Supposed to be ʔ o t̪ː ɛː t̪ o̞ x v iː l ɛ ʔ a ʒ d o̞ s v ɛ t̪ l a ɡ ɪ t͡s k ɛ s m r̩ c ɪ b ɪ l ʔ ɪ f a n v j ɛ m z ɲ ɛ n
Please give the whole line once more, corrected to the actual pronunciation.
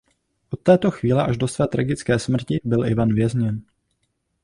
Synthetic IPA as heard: ʔ o t̪ː ɛː t̪ o̞ x v iː l ɛ ʔ a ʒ d o̞ s v ɛː t̪ ɾ a ɡ ɪ t͡s k ɛː s m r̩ c ɪ b ɪ l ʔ ɪ v a n v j ɛ z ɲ ɛ n